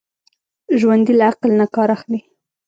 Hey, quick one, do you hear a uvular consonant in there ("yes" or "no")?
yes